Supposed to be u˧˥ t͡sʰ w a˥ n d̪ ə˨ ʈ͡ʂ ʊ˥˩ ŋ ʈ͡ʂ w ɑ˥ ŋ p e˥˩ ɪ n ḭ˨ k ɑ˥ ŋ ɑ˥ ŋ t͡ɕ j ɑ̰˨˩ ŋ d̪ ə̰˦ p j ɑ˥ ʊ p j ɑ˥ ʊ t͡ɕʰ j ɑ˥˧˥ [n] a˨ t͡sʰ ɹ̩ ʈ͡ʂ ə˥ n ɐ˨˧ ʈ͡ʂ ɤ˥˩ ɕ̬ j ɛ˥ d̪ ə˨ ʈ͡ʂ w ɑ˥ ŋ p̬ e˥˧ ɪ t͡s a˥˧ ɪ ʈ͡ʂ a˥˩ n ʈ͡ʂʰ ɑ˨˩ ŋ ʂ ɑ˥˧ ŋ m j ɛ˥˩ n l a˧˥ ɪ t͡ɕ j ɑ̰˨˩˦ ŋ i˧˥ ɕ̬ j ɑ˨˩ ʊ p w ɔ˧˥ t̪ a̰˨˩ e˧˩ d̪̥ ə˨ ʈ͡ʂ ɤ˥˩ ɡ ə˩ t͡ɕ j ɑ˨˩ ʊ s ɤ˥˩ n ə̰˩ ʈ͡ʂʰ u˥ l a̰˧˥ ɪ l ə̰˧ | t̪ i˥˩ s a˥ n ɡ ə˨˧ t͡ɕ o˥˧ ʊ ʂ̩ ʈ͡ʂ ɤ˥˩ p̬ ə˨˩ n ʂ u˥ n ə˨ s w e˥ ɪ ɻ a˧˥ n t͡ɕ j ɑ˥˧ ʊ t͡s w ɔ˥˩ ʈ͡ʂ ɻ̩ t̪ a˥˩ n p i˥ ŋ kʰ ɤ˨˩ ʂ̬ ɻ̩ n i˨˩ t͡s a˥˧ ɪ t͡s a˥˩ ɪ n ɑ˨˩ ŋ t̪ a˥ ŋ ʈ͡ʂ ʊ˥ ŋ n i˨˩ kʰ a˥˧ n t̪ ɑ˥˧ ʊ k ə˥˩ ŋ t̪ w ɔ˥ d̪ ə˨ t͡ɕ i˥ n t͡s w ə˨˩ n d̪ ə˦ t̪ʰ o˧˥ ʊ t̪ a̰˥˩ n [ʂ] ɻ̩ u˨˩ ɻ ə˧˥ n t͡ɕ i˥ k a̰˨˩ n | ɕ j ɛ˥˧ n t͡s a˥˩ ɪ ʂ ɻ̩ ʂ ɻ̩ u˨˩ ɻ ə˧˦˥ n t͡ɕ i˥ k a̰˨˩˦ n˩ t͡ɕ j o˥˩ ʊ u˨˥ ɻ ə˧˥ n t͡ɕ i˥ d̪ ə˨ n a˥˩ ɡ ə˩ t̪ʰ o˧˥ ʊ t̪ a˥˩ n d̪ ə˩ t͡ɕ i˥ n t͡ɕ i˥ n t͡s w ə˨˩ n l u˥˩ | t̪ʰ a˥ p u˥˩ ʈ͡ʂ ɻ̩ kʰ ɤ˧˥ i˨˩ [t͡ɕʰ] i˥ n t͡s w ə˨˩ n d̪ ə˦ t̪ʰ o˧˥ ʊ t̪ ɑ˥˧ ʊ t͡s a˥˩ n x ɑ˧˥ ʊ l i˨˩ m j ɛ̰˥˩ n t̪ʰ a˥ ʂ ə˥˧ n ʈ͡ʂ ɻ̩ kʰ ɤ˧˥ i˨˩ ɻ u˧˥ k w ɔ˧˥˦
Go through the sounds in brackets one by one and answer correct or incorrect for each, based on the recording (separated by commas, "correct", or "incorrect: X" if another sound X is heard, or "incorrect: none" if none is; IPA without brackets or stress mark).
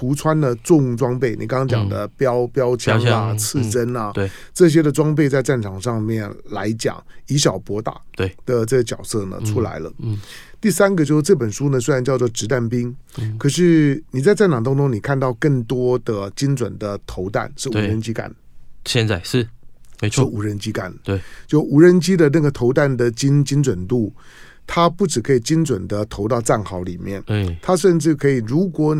incorrect: ŋ, correct, incorrect: t͡ɕ